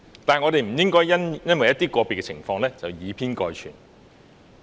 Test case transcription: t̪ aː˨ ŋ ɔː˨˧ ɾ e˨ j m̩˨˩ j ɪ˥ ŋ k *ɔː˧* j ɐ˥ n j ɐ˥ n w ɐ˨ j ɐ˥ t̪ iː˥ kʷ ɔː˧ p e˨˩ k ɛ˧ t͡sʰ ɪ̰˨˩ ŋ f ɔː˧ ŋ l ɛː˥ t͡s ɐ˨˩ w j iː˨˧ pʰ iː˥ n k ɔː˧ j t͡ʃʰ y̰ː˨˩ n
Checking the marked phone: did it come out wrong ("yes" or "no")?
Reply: yes